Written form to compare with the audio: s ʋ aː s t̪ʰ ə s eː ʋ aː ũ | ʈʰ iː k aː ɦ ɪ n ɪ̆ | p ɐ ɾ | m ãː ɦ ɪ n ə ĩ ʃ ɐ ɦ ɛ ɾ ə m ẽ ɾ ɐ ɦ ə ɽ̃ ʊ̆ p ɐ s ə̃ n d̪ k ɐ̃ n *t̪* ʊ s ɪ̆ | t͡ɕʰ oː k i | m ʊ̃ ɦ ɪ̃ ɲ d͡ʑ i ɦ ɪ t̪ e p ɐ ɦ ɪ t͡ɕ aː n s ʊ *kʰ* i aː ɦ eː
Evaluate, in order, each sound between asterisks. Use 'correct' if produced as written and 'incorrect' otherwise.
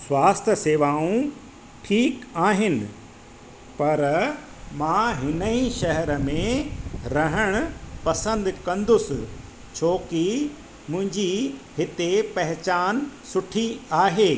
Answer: incorrect, incorrect

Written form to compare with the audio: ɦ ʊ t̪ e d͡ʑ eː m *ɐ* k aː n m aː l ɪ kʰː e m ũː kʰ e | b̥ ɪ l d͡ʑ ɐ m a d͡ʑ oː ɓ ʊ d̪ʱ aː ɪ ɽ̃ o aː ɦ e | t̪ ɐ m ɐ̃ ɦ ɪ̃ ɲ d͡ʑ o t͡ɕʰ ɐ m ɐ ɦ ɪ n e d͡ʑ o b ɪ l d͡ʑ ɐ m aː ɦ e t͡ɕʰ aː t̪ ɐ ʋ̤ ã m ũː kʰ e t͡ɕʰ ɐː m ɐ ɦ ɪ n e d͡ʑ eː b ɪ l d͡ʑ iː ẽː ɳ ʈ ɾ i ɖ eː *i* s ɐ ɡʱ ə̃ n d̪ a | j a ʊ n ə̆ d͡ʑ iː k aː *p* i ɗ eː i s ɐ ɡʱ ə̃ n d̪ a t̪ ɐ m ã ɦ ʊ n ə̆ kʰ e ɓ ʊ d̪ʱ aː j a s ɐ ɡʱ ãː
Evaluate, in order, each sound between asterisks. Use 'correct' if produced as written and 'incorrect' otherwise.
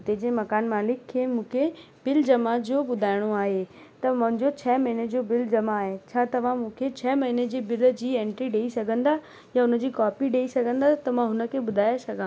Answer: correct, correct, correct

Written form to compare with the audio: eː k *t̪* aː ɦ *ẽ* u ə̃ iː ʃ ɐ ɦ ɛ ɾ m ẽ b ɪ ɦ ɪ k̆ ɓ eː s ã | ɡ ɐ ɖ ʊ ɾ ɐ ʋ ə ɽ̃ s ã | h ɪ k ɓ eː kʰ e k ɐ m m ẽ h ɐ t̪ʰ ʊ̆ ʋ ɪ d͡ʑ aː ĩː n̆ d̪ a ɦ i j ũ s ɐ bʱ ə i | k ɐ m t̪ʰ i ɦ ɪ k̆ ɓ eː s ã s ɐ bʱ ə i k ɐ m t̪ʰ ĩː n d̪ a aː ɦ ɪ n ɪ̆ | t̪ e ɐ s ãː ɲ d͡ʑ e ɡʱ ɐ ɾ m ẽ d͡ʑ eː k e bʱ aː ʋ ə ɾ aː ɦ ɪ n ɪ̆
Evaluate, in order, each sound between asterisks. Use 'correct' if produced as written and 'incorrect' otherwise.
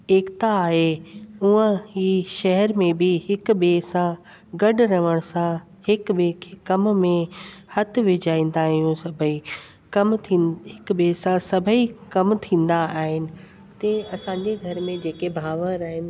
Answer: correct, incorrect

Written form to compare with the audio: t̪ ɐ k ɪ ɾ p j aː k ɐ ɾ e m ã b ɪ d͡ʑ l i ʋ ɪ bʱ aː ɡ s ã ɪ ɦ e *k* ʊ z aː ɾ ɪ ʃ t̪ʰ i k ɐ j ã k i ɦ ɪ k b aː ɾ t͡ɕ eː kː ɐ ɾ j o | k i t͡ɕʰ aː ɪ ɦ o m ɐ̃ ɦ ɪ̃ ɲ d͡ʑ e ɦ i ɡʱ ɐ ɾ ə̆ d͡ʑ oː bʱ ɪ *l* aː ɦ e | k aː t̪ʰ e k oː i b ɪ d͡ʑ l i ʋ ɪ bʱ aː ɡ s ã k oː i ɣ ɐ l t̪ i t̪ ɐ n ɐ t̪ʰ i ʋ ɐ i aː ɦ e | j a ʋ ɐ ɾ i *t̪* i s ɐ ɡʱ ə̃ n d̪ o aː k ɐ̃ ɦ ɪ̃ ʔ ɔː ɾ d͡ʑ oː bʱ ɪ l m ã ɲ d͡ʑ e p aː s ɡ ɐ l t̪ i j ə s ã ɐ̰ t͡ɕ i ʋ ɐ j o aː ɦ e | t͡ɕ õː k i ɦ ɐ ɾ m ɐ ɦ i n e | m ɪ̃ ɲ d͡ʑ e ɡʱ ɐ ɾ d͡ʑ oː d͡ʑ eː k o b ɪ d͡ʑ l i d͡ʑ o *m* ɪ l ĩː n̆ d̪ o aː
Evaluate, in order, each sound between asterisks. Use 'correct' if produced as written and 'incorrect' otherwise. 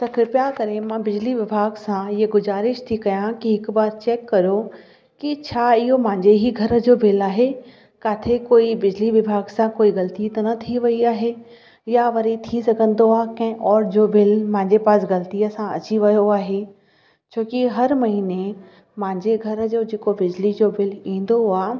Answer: incorrect, correct, incorrect, incorrect

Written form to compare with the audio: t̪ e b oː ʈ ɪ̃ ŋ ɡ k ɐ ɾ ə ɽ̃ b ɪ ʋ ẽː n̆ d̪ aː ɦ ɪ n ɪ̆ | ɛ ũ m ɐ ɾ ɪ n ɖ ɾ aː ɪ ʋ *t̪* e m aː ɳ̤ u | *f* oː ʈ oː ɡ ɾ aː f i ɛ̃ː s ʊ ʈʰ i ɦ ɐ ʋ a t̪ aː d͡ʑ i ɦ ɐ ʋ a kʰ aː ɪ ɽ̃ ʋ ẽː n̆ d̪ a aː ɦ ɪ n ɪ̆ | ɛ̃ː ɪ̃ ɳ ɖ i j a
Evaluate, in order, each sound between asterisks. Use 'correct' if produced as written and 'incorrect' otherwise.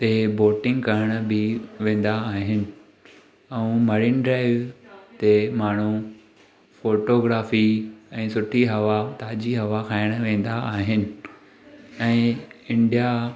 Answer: correct, correct

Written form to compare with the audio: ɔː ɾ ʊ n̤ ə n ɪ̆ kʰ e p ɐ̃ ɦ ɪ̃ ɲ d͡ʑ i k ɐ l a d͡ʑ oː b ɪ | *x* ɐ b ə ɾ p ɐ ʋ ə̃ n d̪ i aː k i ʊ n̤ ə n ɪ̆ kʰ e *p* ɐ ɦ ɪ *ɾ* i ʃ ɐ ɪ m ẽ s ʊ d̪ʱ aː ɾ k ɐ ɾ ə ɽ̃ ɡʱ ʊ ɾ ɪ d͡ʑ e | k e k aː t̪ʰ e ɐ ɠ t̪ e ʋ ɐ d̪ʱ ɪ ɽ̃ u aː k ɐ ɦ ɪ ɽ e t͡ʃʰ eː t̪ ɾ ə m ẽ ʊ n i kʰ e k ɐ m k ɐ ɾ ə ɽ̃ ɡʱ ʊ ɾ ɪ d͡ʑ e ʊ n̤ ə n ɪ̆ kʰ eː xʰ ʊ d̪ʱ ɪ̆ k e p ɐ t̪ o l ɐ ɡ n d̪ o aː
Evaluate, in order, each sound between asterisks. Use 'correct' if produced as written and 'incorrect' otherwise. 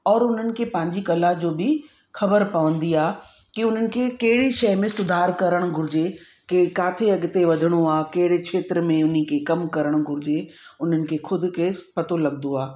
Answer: correct, incorrect, incorrect

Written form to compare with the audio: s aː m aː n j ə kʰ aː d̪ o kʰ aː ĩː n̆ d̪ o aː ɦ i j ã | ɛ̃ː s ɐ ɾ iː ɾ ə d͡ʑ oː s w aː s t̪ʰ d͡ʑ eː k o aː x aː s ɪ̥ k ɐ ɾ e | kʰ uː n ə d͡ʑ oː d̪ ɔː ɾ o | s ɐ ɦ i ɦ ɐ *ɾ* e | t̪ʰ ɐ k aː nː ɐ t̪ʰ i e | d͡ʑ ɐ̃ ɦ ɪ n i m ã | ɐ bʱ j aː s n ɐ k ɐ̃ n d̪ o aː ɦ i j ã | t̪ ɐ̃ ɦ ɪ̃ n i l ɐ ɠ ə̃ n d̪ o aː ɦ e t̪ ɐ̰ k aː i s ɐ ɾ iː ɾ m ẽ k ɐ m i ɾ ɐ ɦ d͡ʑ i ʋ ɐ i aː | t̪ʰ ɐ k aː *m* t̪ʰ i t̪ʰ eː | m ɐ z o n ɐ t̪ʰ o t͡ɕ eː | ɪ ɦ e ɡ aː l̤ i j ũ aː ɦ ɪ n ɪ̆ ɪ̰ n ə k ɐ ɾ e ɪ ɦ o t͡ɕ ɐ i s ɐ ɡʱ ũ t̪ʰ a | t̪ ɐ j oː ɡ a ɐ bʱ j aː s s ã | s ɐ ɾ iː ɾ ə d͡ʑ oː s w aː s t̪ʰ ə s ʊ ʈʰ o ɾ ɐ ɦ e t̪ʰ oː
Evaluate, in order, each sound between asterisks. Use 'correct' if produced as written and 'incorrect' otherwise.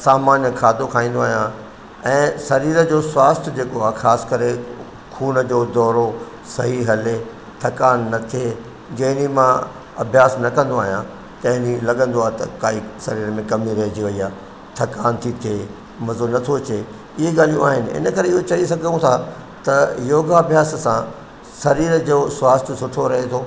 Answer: incorrect, incorrect

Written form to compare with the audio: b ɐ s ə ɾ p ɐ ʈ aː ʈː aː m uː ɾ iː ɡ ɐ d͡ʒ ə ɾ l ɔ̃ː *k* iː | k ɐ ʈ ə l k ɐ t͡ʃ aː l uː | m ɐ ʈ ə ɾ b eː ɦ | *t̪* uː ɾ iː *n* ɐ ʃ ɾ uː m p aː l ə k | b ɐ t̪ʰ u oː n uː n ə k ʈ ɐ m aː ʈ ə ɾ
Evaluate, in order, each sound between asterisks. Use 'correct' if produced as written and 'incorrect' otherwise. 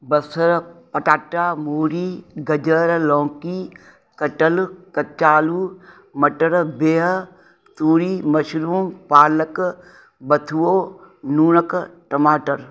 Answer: correct, correct, incorrect

